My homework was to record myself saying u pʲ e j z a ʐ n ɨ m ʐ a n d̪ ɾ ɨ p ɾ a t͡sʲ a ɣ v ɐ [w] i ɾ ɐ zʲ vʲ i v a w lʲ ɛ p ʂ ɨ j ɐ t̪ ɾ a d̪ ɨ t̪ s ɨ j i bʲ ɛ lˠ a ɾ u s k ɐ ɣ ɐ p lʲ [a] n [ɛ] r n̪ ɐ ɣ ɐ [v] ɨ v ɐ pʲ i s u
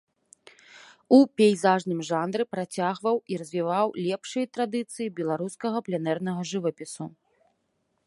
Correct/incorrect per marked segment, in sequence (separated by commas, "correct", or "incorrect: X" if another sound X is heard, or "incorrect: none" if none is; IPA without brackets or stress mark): correct, incorrect: ɛ, correct, incorrect: ʐ